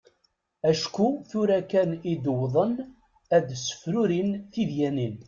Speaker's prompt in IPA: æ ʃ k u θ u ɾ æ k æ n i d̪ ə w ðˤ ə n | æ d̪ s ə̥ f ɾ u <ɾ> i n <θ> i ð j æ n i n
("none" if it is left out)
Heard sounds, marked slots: ɾ, θ

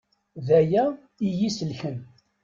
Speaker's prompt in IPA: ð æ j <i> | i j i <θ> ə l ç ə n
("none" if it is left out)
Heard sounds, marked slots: æ, s

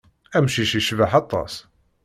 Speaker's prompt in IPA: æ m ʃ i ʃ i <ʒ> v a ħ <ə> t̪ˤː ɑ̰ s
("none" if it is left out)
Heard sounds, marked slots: ʃ, ɑ

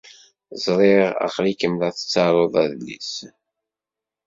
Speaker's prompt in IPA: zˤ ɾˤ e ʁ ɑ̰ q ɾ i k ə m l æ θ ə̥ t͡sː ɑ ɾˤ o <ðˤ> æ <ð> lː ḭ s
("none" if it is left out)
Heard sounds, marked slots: ðˤ, ð

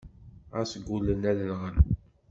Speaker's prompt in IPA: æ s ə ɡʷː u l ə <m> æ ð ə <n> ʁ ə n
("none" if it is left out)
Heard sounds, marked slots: n, n

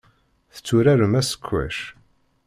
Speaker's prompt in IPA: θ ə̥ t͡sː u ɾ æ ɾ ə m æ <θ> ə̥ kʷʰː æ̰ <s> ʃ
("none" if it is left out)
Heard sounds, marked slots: s, none

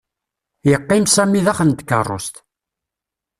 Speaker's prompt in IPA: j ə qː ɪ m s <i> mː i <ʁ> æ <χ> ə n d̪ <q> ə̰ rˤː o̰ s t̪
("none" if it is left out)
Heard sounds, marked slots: æ, ð, χ, k

